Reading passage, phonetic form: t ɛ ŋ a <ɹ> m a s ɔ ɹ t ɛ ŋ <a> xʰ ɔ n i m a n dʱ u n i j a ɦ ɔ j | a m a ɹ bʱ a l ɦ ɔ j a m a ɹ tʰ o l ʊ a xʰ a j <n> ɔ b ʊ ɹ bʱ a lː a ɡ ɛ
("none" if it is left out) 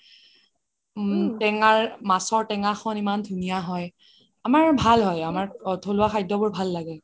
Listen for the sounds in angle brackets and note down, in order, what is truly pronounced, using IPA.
ɹ, a, d

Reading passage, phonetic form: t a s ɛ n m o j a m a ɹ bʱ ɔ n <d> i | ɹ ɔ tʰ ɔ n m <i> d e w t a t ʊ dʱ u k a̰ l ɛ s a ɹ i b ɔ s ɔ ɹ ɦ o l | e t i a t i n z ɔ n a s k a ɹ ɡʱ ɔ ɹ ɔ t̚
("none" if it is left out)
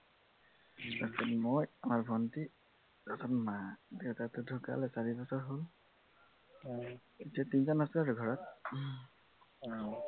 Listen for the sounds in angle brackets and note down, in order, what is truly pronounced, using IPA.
t, a

